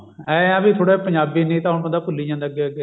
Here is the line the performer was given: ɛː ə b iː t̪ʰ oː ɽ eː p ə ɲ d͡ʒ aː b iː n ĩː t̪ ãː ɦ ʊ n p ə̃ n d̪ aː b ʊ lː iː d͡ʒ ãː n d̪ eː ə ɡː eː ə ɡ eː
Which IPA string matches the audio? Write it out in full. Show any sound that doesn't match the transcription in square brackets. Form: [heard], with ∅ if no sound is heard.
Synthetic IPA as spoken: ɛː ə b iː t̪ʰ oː ɽ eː p ə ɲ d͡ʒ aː b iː n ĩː t̪ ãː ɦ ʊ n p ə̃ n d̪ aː [p] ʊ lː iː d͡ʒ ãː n d̪ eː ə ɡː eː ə ɡ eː